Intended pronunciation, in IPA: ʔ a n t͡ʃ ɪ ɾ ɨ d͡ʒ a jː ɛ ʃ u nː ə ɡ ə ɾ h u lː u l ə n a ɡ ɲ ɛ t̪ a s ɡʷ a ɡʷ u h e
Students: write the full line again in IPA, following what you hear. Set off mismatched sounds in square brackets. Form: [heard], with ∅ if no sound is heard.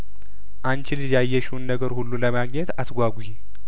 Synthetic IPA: ʔ a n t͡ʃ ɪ [l] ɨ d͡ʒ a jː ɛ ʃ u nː ə ɡ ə ɾ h u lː u l ə [m] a ɡ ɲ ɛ t̪ a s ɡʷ a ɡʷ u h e